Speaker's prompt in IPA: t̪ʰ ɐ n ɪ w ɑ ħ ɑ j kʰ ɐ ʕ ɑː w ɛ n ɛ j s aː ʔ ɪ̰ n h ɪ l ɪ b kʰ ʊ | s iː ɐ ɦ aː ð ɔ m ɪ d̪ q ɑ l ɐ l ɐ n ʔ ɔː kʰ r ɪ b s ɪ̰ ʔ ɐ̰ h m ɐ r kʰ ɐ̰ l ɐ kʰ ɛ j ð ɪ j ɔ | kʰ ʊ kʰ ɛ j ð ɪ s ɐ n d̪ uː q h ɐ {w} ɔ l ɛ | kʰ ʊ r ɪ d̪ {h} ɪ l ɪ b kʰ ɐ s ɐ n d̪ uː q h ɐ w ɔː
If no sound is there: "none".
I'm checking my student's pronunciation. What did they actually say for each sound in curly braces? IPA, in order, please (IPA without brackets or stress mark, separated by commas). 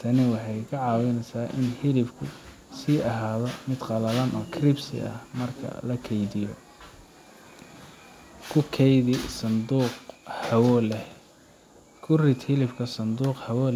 w, h